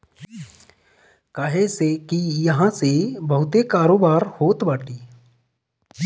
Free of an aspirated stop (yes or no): yes